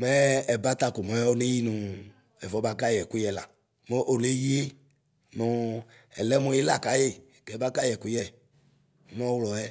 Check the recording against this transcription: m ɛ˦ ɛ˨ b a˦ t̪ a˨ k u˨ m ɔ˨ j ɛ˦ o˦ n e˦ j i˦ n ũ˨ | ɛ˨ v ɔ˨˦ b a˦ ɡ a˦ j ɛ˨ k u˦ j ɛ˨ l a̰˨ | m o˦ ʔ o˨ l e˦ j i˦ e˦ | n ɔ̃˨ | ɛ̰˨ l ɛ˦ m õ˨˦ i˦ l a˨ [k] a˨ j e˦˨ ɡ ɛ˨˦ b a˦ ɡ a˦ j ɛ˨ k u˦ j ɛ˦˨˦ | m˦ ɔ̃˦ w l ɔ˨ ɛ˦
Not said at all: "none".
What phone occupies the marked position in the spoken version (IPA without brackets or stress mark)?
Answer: k